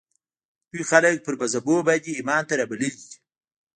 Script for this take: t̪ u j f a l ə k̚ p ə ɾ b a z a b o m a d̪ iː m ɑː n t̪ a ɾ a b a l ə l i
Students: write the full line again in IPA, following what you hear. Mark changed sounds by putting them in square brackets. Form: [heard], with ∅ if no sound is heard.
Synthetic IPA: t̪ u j [x] a l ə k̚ p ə ɾ b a z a b o [b] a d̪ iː m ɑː n t̪ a ɾ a b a l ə l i

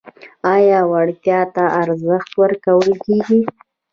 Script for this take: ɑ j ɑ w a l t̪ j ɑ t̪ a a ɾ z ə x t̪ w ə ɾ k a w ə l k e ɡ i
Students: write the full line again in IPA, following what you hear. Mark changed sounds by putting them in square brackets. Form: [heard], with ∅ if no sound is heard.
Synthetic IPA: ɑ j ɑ w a [ɽ] t̪ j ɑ t̪ a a ɾ z ə x t̪ w ə ɾ k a w ə l k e ɡ i

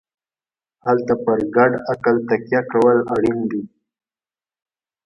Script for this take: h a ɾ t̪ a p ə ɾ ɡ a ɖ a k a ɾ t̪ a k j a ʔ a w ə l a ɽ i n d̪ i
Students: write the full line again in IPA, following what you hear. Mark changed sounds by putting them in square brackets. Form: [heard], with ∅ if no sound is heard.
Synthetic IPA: h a [l] t̪ a p ə ɾ ɡ a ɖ a k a [l] t̪ a k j a [k] a w ə l a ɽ i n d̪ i

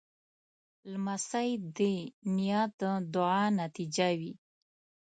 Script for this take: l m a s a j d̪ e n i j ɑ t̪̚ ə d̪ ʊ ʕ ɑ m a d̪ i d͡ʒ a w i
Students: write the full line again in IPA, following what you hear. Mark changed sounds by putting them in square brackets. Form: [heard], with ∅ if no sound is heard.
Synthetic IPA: l m a s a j d̪ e n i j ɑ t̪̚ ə d̪ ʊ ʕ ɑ [n] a [t̪] i d͡ʒ a w i

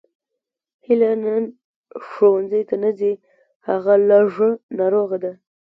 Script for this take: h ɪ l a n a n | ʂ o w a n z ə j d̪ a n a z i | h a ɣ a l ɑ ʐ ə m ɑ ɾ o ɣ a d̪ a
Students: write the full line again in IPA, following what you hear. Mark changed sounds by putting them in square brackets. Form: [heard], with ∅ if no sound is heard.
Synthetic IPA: h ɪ l a n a n | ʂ o w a n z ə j [t̪] a n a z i | h a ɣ a l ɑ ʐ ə [n] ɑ ɾ o ɣ a d̪ a

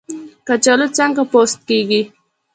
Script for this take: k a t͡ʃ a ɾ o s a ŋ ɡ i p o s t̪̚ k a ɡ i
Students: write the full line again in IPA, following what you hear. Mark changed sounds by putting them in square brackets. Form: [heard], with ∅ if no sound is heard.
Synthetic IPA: k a t͡ʃ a [l] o [t͡s] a ŋ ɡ [a] p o s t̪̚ k [e] ɡ i

